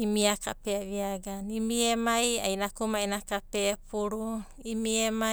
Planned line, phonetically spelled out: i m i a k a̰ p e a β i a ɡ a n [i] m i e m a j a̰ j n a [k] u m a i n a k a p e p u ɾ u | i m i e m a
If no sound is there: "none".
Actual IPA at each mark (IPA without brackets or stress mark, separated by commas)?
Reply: i, k